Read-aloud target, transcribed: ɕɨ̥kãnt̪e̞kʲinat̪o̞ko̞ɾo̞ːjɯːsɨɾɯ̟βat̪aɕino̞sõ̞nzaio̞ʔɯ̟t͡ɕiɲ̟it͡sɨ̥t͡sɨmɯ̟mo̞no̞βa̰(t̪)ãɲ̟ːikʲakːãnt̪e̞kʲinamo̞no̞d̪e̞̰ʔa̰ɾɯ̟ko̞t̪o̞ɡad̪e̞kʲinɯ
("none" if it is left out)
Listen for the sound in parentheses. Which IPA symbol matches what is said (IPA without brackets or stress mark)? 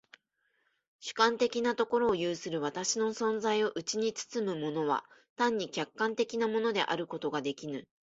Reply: t̪